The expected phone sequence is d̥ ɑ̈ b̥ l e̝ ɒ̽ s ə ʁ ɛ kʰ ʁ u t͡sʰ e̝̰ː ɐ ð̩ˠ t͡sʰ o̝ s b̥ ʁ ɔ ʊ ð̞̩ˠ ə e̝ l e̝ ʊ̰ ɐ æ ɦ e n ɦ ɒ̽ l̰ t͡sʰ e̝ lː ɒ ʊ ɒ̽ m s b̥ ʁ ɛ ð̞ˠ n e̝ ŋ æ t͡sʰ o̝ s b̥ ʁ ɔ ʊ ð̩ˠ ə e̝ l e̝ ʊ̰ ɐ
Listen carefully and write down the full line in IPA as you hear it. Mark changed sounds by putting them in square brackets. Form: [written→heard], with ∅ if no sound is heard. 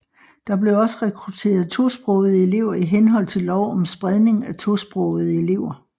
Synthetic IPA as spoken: d̥ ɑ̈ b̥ l e̝ ɒ̽ s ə ʁ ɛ kʰ ʁ u t͡sʰ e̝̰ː ɐ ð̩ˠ t͡sʰ o̝ s b̥ ʁ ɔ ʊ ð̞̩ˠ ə e̝ l e̝ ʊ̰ ɐ [æ→i] ɦ e n ɦ ɒ̽ l̰ t͡sʰ e̝ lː ɒ ʊ ɒ̽ m s b̥ ʁ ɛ ð̞ˠ n e̝ ŋ æ t͡sʰ o̝ s b̥ ʁ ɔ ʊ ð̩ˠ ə e̝ l e̝ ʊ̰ ɐ